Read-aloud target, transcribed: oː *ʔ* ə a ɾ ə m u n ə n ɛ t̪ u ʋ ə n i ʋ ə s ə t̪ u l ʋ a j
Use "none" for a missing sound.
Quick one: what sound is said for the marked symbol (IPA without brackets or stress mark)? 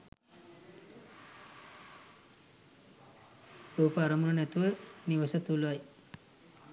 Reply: p